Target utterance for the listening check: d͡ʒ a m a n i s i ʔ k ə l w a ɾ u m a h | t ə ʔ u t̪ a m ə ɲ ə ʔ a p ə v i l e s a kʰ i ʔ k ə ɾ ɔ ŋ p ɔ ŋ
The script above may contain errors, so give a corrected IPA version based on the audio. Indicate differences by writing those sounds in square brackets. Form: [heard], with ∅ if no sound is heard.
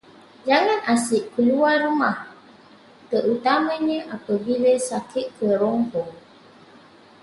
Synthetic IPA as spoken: d͡ʒ a [ŋ] a n [a] s i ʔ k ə l [u] a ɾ u m a h | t ə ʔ u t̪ a m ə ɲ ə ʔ a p ə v i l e s a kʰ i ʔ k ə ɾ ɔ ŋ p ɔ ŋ